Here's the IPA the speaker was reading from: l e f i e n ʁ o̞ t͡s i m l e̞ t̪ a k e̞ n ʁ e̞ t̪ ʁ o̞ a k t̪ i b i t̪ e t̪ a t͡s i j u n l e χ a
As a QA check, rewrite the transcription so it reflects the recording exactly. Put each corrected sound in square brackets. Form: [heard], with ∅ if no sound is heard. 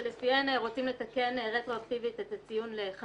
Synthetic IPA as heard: l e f i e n ʁ o̞ t͡s i m l e̞ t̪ a k e̞ n ʁ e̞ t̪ ʁ o̞ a k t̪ i [v] i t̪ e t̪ a t͡s i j u n l e χ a